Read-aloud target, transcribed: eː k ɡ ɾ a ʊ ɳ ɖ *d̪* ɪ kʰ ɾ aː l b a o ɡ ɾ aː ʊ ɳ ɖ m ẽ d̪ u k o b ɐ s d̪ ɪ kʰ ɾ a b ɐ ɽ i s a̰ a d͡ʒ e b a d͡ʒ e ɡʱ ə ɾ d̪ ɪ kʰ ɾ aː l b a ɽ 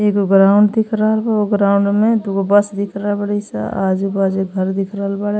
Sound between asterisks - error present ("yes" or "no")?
no